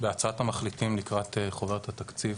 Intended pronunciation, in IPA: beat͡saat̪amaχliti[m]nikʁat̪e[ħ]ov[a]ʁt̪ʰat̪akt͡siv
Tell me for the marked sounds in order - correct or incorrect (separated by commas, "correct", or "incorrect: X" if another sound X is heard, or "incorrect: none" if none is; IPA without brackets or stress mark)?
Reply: correct, incorrect: χ, incorrect: e